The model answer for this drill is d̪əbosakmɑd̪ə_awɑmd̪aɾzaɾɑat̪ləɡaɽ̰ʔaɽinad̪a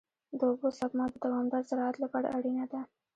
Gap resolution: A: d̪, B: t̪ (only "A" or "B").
A